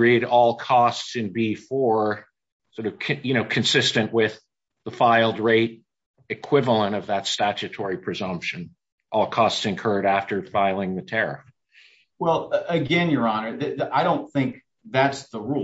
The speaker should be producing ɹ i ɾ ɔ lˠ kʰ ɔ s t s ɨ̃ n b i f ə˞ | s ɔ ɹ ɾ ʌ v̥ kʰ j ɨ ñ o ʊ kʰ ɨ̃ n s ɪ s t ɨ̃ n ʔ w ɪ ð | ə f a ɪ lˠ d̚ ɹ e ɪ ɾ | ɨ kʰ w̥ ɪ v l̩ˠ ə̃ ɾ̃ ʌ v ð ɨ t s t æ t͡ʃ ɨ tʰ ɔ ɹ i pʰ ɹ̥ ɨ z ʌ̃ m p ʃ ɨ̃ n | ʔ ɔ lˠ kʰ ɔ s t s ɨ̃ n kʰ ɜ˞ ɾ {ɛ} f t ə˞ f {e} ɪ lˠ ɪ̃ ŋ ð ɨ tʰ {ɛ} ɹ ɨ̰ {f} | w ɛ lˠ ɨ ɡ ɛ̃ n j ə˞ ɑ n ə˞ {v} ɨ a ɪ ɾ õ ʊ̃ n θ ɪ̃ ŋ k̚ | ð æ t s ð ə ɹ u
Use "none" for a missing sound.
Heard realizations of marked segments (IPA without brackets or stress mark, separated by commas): æ, a, ɛ, f, ð